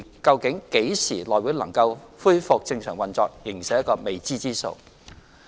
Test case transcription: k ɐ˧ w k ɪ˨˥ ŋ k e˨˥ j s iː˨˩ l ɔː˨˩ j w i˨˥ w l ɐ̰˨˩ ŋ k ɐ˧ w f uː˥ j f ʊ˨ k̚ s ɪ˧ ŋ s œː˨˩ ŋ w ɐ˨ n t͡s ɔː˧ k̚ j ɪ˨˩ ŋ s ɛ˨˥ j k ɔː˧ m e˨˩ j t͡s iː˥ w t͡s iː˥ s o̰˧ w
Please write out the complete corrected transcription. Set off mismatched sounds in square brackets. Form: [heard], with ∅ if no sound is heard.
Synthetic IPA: k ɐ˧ w k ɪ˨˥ ŋ k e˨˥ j s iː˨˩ l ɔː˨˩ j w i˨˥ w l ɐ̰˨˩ ŋ k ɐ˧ w f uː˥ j f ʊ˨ k̚ [t͡s] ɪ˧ ŋ s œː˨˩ ŋ w ɐ˨ n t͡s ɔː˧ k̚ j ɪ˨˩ ŋ s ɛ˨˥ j k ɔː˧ m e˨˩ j t͡s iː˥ [∅] t͡s iː˥ s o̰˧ w